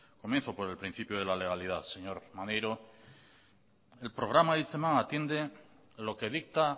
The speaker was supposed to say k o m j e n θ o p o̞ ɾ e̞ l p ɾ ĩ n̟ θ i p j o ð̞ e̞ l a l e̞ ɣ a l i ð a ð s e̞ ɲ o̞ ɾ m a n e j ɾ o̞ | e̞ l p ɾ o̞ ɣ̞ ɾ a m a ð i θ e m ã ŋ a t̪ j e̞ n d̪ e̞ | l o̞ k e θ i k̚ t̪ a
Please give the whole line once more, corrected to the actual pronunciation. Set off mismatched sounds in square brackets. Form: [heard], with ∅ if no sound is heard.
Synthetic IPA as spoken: k o m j e n θ o p o̞ ɾ e̞ l p ɾ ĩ n̟ θ i p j o ð̞ e̞ l a l e̞ ɣ a l i ð a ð s e̞ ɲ o̞ ɾ m a n e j ɾ o̞ | e̞ l p ɾ o̞ ɣ̞ ɾ a m a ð i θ e m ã ŋ a t̪ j e̞ n d̪ e̞ | l o̞ k e [ð] i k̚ t̪ a